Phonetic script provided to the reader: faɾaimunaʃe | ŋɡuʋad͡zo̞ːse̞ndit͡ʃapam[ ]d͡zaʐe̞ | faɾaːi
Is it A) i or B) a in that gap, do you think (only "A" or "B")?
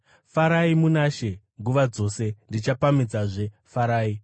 A